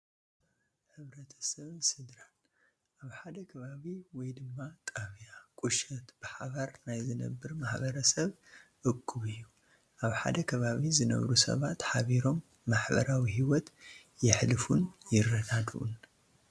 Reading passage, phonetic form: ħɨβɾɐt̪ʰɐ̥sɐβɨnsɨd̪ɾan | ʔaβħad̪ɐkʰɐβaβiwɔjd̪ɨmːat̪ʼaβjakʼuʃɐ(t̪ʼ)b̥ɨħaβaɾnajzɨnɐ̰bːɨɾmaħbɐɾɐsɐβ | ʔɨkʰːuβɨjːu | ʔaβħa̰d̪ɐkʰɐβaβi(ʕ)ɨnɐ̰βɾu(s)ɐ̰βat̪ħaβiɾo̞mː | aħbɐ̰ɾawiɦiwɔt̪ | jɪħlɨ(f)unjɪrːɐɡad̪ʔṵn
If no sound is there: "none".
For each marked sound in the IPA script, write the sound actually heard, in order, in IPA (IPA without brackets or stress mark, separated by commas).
t̪, z, s, f